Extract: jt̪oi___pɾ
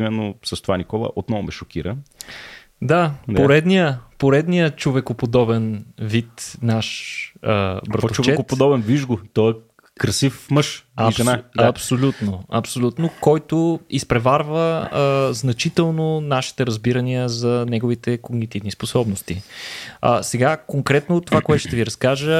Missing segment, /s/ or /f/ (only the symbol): s